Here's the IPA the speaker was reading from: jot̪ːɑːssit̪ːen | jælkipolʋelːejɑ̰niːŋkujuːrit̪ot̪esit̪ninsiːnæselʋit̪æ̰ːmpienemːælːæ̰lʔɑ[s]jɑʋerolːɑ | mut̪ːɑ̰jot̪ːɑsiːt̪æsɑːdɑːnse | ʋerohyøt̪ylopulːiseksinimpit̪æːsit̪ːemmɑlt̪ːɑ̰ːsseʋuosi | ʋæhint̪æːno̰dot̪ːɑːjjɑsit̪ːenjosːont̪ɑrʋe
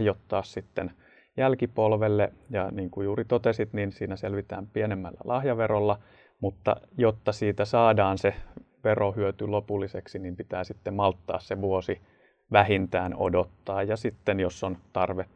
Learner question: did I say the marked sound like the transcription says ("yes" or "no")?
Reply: no